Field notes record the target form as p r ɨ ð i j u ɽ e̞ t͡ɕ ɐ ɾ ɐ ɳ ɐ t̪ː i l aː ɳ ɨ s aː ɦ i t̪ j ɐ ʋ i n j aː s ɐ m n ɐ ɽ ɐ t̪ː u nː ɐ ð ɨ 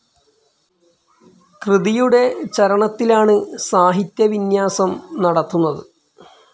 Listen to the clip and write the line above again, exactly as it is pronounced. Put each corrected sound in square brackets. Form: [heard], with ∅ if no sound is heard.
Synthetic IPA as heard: [k] r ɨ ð i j u ɽ e̞ t͡ɕ ɐ ɾ ɐ ɳ ɐ t̪ː i l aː ɳ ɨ s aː ɦ i t̪ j ɐ ʋ i n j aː s ɐ m n ɐ ɽ ɐ t̪ː u nː ɐ ð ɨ